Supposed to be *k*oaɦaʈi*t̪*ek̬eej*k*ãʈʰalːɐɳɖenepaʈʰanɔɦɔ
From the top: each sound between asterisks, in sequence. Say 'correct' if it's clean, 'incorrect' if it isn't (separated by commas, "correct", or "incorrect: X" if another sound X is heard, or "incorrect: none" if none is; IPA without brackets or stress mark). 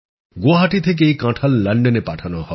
incorrect: ɡ, incorrect: t̪ʰ, correct